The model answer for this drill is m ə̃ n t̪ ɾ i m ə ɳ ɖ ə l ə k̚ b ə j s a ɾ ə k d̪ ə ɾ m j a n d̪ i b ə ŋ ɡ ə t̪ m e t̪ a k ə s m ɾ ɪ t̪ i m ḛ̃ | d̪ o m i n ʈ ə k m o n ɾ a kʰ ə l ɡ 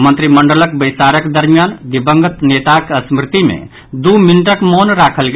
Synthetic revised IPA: m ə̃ n t̪ ɾ i m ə ɳ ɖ ə l ə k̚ b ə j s a ɾ ə k d̪ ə ɾ m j a n d̪ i b ə ŋ ɡ ə t̪ n e t̪ a k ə s m ɾ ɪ t̪ i m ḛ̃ | d̪ u m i n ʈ ə k m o n ɾ a kʰ ə l ɡ